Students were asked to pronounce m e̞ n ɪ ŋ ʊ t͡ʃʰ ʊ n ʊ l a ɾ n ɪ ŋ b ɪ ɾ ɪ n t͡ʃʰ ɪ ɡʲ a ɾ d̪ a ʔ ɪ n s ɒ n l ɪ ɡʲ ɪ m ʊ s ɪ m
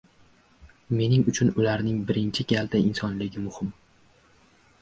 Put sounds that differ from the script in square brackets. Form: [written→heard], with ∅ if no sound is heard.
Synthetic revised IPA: m e̞ n ɪ ŋ ʊ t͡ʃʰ ʊ n ʊ l a ɾ n ɪ ŋ b ɪ ɾ ɪ n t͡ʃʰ ɪ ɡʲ a [ɾ→l] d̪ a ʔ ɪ n s ɒ n l ɪ ɡʲ ɪ m ʊ [s→h] ɪ m